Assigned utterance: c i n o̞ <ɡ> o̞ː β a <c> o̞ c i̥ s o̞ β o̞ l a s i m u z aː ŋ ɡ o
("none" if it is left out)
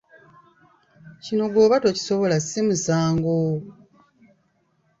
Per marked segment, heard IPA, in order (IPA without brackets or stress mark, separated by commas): ɡ, t